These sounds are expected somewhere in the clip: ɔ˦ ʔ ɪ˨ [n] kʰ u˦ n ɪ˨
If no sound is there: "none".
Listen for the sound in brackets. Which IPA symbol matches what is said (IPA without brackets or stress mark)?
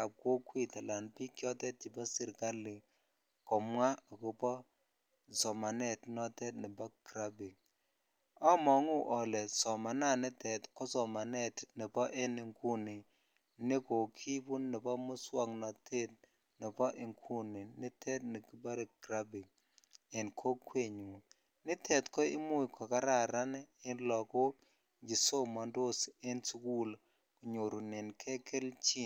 ŋ